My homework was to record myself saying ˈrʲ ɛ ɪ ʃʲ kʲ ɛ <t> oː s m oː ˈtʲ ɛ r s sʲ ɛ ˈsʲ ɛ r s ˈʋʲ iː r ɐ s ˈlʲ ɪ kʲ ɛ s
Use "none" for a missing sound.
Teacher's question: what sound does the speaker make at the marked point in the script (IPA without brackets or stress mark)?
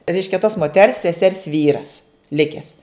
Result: t